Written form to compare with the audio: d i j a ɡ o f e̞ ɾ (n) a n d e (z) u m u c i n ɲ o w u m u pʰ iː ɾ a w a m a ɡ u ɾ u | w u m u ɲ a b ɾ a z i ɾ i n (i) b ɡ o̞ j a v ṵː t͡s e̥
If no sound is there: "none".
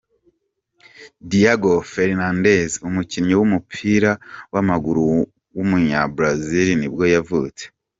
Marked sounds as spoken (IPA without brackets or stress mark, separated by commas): n, z, i